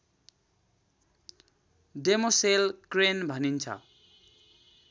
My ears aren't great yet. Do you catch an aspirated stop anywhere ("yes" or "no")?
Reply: yes